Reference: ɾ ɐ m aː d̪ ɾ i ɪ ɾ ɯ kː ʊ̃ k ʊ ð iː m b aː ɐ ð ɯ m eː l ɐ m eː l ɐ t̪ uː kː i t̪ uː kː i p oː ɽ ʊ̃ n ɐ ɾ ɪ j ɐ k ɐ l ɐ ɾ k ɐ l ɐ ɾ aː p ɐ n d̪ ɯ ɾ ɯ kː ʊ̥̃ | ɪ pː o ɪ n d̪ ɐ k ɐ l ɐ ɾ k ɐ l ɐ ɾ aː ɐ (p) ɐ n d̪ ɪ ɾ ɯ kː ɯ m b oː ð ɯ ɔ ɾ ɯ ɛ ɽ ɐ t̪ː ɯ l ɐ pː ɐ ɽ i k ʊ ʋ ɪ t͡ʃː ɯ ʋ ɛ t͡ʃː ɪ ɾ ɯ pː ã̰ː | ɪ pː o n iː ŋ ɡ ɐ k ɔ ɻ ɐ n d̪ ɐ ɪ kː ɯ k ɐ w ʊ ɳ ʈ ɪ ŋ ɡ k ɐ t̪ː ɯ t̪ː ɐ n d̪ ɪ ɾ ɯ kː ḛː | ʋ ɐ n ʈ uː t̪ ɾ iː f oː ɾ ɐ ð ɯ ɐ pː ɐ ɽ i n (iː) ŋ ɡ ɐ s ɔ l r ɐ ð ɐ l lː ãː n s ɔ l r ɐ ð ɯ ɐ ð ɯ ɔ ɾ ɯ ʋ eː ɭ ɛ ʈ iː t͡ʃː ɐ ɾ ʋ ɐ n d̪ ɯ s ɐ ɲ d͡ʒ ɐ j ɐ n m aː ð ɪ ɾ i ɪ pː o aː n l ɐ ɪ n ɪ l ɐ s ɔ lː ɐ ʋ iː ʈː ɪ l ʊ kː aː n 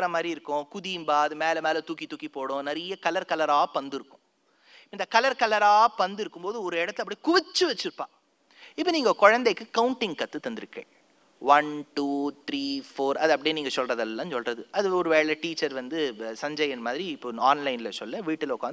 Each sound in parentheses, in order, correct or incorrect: correct, correct

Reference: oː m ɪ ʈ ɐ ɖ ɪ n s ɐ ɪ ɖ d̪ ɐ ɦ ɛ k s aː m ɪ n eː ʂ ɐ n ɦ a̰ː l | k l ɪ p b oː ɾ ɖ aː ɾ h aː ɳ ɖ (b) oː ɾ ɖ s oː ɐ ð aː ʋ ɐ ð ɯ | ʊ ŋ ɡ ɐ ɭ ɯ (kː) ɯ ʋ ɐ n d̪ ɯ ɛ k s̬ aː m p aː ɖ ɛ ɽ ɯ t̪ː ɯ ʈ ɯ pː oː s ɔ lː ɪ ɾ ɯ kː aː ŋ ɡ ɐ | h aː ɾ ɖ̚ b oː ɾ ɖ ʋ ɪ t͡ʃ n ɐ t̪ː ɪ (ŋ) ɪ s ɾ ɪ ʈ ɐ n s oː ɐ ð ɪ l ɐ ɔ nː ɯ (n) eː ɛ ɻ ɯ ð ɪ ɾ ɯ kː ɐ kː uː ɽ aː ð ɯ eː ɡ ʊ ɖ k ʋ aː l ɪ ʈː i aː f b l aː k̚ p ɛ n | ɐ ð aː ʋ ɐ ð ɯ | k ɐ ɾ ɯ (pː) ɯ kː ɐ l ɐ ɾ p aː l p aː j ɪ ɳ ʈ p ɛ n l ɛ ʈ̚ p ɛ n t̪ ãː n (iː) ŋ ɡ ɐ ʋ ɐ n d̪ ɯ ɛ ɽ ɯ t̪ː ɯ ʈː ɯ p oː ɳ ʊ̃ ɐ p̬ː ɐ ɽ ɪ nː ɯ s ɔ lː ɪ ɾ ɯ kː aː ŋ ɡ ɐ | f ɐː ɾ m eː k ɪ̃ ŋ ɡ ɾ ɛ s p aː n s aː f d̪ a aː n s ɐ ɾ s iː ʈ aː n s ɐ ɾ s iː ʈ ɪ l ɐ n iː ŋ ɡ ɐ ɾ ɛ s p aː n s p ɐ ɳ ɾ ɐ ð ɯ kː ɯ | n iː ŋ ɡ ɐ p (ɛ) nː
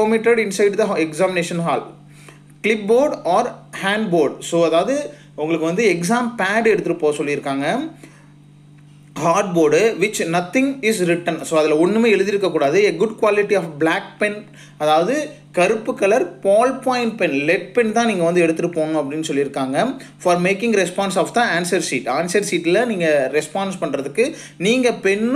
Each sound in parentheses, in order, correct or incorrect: correct, correct, correct, incorrect: m, correct, correct, correct

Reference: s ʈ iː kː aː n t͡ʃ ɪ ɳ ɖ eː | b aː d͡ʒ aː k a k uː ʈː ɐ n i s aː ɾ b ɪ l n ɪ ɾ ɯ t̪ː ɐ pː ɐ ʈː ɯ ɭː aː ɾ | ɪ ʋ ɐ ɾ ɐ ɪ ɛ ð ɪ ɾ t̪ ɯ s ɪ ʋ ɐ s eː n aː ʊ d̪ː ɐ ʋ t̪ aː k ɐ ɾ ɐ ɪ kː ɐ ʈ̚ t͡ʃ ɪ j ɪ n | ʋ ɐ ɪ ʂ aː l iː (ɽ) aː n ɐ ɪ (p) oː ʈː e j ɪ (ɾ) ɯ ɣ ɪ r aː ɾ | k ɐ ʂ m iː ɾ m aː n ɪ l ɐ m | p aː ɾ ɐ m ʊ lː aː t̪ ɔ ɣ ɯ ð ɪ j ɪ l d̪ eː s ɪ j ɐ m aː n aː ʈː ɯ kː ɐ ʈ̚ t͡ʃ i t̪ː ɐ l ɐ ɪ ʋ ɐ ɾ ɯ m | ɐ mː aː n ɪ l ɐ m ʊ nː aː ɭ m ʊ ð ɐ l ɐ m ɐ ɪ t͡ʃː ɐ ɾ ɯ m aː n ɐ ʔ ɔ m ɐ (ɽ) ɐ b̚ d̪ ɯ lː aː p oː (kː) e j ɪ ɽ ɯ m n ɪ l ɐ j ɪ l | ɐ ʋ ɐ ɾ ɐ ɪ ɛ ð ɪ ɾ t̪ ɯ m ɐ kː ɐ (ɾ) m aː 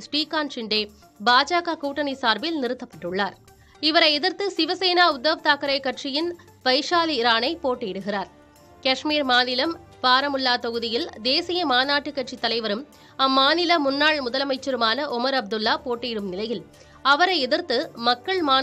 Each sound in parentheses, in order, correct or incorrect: incorrect: ɾ, correct, incorrect: ɽ, incorrect: ɾ, incorrect: ʈː, incorrect: ɭ

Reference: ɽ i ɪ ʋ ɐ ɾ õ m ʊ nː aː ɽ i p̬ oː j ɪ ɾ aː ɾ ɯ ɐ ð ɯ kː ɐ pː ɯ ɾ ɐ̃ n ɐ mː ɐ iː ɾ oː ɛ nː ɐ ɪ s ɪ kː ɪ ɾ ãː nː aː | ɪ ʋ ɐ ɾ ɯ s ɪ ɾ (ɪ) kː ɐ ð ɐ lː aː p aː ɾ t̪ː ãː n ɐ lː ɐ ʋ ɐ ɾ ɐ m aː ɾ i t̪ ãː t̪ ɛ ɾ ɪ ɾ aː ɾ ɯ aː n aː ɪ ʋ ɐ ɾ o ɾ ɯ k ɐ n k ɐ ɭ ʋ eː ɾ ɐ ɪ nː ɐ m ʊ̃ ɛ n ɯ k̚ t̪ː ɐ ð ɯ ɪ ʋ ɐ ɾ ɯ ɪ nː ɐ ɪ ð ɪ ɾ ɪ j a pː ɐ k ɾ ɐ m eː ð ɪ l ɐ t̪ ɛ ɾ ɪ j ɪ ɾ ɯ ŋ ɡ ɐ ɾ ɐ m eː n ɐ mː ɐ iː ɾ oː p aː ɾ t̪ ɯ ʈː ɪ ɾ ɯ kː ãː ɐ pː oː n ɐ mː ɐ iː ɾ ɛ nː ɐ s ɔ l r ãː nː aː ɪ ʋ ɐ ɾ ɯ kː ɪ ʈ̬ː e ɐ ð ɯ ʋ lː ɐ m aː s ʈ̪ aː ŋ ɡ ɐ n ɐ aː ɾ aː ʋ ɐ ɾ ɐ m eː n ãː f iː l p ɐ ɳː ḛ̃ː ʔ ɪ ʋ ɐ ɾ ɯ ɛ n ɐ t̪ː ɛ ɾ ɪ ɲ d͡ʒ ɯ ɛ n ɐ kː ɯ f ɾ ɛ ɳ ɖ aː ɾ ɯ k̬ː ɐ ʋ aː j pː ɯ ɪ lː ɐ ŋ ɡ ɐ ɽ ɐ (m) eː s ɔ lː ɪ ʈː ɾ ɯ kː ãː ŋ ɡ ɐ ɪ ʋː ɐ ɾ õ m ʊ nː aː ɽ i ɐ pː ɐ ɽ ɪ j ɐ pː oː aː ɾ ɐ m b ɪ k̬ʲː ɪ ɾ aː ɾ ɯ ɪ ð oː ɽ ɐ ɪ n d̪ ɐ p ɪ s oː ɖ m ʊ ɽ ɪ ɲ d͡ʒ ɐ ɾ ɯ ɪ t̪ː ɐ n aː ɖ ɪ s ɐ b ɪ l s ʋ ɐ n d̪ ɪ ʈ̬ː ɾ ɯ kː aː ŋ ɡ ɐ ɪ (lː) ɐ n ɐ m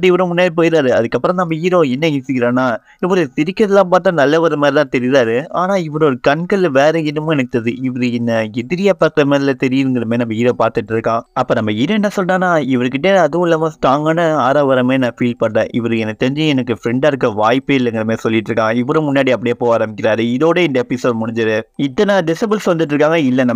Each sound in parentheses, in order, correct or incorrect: correct, correct, correct

